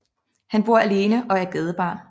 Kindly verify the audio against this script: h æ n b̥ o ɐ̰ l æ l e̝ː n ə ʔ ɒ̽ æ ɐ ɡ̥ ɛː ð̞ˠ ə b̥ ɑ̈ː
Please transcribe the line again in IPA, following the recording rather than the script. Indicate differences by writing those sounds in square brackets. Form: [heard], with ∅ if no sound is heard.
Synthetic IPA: h æ n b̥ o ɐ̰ [∅] æ l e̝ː n ə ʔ ɒ̽ æ ɐ ɡ̥ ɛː ð̞ˠ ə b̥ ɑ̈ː